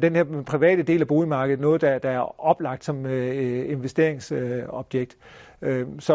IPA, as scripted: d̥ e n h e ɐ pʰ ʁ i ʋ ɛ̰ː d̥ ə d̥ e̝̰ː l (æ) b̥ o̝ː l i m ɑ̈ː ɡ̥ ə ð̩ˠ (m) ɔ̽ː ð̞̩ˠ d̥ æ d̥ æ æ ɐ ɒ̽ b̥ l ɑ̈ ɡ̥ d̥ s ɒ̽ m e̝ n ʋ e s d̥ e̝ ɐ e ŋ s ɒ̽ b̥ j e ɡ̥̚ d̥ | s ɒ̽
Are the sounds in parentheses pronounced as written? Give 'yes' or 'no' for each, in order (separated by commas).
yes, no